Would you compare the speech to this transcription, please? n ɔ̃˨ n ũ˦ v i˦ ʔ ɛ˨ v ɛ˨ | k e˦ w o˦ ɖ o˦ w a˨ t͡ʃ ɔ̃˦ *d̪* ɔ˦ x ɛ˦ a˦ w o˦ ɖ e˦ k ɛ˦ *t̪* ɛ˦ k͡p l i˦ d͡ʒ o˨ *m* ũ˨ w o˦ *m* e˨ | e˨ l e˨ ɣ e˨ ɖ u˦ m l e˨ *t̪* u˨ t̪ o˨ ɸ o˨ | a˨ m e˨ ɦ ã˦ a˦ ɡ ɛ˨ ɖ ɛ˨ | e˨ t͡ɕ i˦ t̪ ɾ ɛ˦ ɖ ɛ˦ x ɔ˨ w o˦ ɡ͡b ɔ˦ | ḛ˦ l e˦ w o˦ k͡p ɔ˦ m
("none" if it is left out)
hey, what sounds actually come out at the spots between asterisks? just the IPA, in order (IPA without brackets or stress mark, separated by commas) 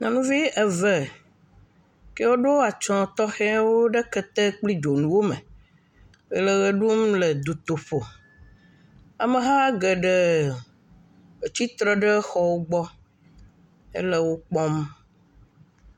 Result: t̪, t̪, n, m, d̪